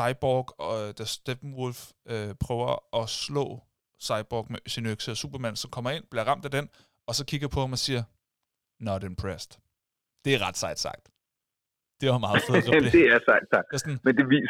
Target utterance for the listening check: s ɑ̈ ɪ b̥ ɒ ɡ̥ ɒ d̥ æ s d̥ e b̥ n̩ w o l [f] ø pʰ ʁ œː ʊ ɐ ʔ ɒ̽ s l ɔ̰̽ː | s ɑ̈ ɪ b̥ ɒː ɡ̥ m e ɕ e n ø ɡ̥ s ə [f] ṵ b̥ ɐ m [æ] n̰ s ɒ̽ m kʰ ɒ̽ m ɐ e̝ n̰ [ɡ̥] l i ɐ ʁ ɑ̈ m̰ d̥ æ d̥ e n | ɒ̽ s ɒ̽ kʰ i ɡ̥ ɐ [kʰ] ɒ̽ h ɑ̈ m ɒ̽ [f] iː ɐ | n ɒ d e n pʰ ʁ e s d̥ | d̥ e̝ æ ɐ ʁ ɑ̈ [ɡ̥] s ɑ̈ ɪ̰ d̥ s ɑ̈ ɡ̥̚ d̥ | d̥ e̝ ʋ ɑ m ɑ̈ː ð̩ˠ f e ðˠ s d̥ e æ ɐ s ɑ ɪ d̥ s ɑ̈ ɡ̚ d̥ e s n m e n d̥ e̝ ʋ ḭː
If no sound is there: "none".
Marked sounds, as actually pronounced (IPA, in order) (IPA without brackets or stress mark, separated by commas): f, s, æ, b̥, pʰ, s, d̥